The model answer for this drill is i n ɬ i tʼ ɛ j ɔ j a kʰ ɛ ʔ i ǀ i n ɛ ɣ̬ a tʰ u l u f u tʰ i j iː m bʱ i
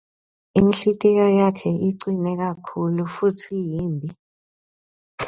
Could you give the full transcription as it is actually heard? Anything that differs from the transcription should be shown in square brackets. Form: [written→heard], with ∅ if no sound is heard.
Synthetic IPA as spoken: i n ɬ i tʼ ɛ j ɔ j a kʰ ɛ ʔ i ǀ i n ɛ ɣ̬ a [tʰ→kʰ] u l u f u tʰ i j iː m bʱ i